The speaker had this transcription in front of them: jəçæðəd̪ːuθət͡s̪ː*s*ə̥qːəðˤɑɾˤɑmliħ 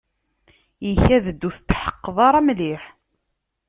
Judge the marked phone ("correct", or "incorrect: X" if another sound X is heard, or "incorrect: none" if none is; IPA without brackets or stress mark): incorrect: ħ